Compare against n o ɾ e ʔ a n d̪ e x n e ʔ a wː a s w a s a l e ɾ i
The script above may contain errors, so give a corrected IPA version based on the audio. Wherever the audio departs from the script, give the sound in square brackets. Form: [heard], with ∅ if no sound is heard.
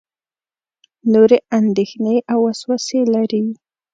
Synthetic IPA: n o ɾ e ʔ a n d̪ e x n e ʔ a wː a s w a s [e] l [a] ɾ i